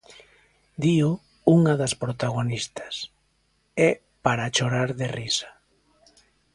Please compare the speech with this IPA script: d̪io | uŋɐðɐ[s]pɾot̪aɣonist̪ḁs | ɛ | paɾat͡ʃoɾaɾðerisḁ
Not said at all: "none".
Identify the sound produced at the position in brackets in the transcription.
s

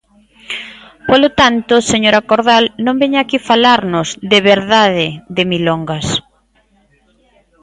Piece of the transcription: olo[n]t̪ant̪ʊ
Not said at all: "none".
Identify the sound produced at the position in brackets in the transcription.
none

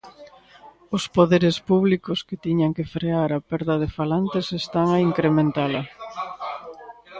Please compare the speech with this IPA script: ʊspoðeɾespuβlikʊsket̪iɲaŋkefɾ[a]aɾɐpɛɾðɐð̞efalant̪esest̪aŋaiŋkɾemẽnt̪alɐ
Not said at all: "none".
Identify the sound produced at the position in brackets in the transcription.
e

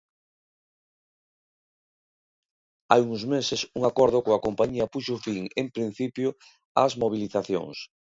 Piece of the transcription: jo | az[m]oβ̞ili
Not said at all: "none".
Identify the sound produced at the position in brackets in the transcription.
m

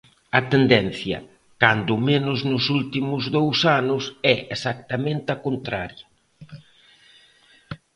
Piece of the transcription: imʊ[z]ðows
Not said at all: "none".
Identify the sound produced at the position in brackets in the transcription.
z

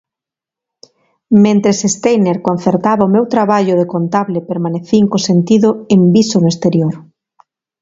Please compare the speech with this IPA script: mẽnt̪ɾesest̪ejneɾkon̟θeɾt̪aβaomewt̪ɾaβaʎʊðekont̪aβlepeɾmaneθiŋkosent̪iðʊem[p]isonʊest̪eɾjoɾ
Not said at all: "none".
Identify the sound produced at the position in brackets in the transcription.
b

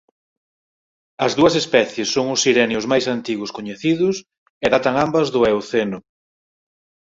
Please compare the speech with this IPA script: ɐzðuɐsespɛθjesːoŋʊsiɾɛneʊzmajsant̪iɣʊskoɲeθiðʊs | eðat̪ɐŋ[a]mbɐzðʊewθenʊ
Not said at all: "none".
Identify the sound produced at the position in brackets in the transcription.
a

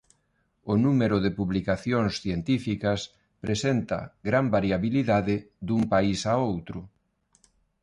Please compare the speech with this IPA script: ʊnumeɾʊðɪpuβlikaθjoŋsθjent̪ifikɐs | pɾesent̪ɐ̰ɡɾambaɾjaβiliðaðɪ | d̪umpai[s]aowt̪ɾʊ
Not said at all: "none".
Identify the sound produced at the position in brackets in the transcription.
s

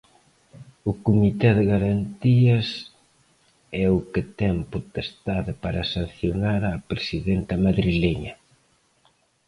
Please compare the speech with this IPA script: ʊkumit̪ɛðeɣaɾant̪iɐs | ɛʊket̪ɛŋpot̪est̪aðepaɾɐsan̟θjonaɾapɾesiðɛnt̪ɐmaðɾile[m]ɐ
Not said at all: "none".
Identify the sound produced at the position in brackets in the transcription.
ɲ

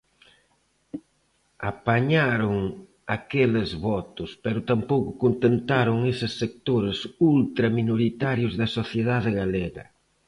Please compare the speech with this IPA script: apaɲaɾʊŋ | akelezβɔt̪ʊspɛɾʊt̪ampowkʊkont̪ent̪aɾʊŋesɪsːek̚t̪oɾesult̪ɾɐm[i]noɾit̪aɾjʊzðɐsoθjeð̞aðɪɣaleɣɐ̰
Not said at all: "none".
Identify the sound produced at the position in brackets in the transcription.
i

